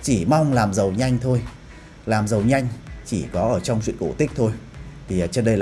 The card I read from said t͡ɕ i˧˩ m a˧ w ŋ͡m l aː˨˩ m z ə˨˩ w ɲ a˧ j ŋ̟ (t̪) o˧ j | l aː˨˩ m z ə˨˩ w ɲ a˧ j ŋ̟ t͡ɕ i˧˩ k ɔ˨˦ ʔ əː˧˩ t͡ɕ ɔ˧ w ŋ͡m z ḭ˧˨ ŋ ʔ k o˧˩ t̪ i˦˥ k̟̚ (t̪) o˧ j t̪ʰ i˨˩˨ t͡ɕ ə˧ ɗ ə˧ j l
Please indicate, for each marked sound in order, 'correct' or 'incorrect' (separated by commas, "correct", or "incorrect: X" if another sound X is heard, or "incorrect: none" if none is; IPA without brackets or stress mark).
incorrect: t̪ʰ, incorrect: t̪ʰ